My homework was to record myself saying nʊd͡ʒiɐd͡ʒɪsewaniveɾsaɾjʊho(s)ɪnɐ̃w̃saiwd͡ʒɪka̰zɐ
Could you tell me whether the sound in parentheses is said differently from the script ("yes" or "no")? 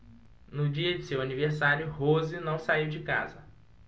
yes